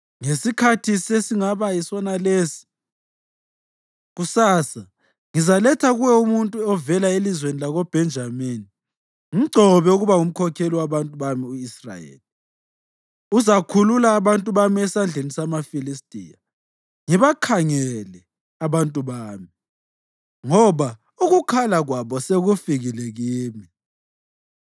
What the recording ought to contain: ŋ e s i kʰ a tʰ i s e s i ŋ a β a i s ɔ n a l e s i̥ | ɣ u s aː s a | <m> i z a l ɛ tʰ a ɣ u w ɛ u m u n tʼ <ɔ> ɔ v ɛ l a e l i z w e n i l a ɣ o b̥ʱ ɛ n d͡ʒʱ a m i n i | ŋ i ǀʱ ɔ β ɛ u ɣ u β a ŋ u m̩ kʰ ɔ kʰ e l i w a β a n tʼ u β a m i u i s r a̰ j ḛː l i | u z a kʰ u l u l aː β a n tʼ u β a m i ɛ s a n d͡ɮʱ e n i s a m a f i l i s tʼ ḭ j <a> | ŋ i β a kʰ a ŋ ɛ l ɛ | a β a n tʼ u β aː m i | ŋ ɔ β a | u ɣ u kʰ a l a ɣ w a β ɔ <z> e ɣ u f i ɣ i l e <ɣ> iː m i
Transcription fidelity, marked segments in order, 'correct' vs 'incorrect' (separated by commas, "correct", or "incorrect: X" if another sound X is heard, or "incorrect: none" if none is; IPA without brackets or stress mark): incorrect: ŋ, incorrect: u, correct, incorrect: s, correct